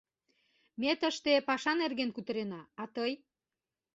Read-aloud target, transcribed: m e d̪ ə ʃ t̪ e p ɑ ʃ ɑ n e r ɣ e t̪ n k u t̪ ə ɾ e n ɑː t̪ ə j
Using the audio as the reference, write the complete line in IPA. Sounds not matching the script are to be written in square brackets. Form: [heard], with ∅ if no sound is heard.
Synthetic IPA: m e [t̪] ə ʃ t̪ e p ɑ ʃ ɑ n e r ɣ e [∅] n k u t̪ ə ɾ e n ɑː t̪ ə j